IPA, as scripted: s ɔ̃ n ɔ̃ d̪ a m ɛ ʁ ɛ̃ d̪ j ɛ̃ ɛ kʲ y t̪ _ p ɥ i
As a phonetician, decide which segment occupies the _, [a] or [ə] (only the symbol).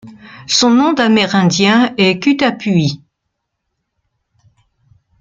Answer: a